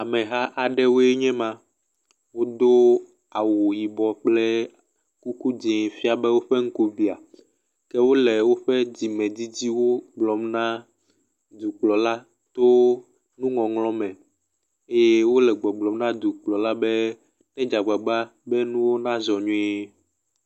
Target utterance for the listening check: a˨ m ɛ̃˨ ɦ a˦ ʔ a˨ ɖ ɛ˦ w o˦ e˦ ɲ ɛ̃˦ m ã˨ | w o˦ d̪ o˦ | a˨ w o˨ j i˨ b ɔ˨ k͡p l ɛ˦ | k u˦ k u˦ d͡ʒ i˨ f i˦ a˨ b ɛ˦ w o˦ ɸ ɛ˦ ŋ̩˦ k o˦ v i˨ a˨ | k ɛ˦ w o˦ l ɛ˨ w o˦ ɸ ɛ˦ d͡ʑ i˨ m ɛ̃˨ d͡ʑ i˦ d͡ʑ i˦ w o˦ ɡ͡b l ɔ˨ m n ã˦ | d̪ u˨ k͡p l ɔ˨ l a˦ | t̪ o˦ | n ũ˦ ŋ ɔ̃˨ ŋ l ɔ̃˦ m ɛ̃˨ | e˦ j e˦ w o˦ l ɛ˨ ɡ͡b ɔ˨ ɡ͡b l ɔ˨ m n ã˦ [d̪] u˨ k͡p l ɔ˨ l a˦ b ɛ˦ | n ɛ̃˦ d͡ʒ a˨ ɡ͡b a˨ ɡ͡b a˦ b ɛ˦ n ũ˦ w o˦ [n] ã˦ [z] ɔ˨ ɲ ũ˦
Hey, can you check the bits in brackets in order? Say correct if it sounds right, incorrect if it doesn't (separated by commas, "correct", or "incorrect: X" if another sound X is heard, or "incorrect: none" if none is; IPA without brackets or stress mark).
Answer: correct, correct, correct